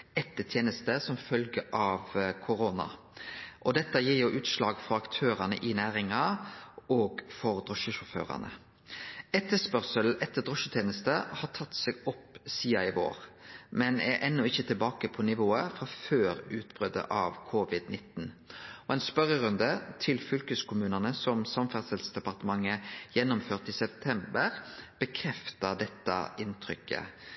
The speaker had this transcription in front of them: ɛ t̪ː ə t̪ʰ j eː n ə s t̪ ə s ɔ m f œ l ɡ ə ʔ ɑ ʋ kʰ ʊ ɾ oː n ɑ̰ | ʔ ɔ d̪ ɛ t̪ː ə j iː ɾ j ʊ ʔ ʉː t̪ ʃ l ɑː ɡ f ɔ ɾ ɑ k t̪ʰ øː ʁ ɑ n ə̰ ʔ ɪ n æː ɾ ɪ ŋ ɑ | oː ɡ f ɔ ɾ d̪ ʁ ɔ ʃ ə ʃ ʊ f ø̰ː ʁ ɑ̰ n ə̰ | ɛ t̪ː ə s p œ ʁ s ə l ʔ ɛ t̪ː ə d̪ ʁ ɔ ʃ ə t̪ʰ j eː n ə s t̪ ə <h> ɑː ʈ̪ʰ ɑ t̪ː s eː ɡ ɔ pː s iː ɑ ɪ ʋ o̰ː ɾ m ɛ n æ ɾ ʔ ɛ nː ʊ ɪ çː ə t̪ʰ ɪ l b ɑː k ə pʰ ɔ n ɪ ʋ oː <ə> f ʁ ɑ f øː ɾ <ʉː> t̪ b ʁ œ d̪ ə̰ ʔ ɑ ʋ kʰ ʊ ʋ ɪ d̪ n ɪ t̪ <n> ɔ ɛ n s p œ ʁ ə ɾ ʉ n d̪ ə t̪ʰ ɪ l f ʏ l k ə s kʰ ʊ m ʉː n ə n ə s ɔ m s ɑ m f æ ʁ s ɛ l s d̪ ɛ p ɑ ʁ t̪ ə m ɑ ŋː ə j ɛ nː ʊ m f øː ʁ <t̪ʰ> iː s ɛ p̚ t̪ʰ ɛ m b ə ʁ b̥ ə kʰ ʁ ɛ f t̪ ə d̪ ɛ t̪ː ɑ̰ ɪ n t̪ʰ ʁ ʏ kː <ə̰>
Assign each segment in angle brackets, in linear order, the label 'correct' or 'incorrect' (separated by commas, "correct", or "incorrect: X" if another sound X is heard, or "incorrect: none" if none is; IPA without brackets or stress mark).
correct, correct, correct, correct, incorrect: t̪, correct